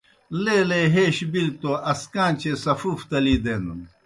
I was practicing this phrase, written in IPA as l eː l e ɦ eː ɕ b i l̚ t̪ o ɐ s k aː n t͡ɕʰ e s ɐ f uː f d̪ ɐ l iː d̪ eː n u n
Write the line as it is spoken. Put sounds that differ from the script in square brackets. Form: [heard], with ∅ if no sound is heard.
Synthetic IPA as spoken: l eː l e ɦ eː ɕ b i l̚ t̪ o ɐ s k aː n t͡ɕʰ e s ɐ f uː f [t̪] ɐ l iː d̪ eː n u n